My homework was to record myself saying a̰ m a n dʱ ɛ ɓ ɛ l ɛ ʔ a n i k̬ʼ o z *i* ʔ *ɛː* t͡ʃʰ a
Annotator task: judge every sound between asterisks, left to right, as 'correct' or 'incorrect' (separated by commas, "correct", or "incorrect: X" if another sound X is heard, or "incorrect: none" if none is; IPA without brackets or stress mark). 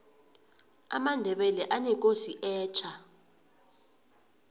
correct, correct